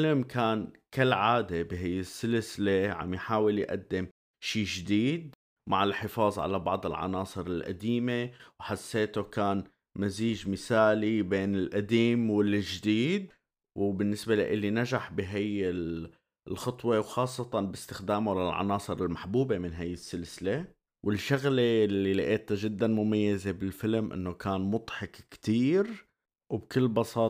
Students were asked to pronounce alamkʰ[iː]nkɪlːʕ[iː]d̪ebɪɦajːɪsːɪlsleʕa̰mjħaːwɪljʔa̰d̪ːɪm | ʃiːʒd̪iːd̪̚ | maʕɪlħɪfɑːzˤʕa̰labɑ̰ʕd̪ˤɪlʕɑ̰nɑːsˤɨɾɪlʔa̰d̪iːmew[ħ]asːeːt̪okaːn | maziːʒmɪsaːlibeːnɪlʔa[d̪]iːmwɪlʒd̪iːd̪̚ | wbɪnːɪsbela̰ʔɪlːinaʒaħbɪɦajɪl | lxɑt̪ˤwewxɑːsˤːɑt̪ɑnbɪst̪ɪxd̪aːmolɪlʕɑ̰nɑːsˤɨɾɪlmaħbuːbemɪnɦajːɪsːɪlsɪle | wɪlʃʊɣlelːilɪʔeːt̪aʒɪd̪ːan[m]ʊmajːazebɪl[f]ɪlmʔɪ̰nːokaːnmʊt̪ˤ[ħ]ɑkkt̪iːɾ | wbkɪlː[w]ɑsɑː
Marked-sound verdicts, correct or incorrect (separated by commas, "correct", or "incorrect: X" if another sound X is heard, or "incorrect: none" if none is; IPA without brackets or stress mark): incorrect: aː, incorrect: aː, correct, correct, correct, correct, correct, incorrect: b